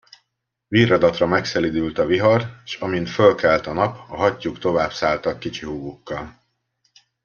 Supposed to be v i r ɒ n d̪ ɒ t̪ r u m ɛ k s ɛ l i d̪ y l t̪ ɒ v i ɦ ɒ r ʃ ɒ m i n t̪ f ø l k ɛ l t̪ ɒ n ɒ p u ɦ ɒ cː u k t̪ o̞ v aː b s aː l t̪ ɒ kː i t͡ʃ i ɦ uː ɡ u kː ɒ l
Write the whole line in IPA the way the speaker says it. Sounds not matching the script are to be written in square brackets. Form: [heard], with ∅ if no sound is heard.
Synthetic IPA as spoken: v i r ɒ [∅] d̪ ɒ t̪ r [ɒ] m ɛ k s ɛ l i d̪ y l t̪ ɒ v i ɦ ɒ r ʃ ɒ m i n t̪ f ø l k ɛ l t̪ ɒ n ɒ p [ɒ] ɦ ɒ cː u k t̪ o̞ v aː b s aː l t̪ ɒ kː i t͡ʃ i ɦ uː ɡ u kː ɒ l